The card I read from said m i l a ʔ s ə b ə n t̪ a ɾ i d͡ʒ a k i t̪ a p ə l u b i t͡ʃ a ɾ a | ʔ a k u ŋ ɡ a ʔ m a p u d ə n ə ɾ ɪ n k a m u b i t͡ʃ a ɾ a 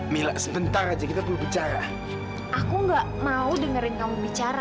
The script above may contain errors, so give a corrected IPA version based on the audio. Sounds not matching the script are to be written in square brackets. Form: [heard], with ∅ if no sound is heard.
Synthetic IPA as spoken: m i l a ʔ s ə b ə n t̪ a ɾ [a] d͡ʒ a k i t̪ a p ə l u b i t͡ʃ a ɾ a | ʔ a k u ŋ ɡ a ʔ m a [∅] u d ə [ŋ] ə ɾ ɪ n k a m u b i t͡ʃ a ɾ a